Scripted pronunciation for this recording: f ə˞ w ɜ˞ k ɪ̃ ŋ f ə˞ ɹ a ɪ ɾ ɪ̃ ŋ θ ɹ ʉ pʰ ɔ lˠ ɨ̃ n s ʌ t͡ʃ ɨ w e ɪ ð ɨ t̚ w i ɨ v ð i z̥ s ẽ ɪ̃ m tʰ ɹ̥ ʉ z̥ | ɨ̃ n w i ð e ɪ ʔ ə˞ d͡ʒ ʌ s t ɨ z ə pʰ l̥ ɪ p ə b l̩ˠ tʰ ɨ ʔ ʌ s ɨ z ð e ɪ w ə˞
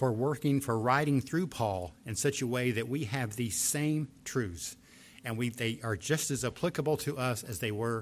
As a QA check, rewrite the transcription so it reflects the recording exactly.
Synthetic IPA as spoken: f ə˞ w ɜ˞ k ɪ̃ ŋ f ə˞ ɹ a ɪ ɾ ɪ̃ ŋ θ ɹ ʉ pʰ ɔ lˠ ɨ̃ n s ʌ t͡ʃ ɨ w e ɪ ð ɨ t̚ w i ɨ v ð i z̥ s ẽ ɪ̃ m tʰ ɹ̥ ʉ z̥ | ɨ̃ n w i ð e ɪ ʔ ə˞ d͡ʒ ʌ s t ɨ z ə pʰ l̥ ɪ k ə b l̩ˠ tʰ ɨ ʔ ʌ s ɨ z ð e ɪ w ə˞